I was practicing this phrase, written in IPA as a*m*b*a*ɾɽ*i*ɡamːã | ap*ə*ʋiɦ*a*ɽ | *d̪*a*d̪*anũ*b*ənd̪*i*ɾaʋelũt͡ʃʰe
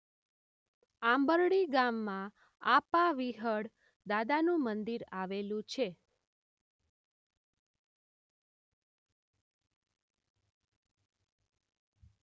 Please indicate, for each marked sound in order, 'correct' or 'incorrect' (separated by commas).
correct, incorrect, correct, incorrect, incorrect, correct, correct, incorrect, correct